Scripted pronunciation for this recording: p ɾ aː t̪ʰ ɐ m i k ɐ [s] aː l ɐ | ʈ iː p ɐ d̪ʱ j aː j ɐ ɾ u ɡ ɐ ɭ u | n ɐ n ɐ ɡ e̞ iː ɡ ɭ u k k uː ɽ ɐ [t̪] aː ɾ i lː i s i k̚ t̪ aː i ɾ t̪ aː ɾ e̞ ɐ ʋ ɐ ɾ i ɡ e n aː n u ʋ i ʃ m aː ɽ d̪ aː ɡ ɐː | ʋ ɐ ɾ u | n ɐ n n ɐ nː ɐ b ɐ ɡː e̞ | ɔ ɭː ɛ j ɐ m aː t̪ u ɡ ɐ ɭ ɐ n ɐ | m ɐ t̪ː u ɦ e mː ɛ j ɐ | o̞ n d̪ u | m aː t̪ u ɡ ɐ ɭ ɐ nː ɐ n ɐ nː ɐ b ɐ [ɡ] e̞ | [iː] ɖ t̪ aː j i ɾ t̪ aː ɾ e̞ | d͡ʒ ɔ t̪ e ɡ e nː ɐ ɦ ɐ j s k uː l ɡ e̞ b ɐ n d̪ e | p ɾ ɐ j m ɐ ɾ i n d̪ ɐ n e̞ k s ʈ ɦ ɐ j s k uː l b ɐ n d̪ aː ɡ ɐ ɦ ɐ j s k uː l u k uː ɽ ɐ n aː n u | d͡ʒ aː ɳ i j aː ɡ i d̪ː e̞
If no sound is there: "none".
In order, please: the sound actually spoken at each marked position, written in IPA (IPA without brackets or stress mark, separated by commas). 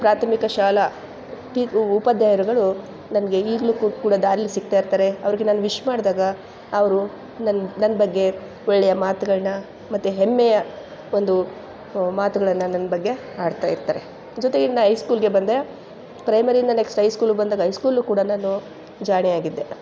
ʃ, d̪, ɡː, aː